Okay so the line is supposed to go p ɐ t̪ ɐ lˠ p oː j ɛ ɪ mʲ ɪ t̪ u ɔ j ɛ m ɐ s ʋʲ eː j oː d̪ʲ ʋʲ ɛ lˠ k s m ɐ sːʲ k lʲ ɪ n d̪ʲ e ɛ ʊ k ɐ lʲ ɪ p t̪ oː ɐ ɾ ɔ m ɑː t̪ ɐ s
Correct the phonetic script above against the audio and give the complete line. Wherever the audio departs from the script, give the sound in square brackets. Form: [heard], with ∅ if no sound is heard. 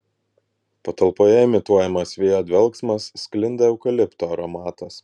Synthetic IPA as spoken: p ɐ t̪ ɐ lˠ p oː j ɛ ɪ mʲ ɪ t̪ u ɔ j ɛ m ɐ s ʋʲ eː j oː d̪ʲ ʋʲ ɛ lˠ k s m ɐ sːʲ k lʲ ɪ n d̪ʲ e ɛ ʊ k ɐ lʲ ɪ p t̪ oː ɐ ɾ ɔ m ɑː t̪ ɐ s